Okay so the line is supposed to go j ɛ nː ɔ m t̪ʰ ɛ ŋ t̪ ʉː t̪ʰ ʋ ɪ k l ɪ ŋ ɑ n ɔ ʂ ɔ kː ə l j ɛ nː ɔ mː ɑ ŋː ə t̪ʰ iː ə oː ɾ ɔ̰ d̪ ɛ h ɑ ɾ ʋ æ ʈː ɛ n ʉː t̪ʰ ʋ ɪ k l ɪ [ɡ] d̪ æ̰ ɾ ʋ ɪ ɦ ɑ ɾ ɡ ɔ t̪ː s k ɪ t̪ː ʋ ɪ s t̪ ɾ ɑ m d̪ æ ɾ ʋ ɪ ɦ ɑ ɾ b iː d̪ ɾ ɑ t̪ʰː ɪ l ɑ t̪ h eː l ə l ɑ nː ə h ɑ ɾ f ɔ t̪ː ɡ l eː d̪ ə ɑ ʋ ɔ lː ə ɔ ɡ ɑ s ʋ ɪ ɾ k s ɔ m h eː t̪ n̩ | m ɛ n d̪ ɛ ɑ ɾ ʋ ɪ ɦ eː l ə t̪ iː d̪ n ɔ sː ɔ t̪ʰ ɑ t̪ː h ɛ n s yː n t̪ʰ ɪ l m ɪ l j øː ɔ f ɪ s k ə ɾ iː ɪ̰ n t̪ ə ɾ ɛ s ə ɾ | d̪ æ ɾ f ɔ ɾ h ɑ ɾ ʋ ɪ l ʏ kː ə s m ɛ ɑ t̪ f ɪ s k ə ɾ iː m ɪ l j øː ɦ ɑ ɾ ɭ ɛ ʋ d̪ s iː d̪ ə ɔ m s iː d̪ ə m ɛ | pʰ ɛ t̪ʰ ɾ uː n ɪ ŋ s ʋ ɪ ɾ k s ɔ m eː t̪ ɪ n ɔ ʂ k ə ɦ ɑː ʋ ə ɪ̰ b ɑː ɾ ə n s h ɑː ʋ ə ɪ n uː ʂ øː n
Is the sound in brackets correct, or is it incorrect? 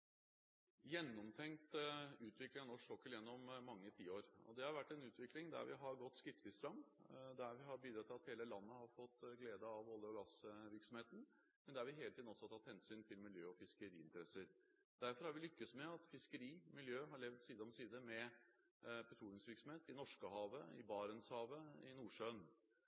incorrect